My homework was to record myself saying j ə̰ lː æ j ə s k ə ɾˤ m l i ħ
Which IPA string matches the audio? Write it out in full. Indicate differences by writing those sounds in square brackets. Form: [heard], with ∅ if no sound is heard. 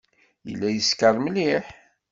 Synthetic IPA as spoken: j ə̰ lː æ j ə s k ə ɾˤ m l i ħ